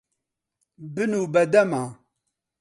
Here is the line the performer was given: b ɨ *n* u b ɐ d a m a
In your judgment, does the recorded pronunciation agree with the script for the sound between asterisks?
yes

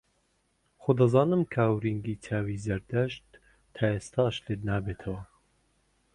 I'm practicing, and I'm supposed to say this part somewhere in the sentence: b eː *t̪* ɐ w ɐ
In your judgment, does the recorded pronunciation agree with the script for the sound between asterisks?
no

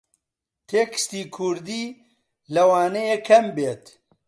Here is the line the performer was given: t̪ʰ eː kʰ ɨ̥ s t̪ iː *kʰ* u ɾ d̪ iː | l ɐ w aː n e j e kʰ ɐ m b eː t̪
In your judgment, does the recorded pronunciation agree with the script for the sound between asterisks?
yes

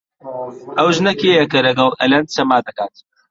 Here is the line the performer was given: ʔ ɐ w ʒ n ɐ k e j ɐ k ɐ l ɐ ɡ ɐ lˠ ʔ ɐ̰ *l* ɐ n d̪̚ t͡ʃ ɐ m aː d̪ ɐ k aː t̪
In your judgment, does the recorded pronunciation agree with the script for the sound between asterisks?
yes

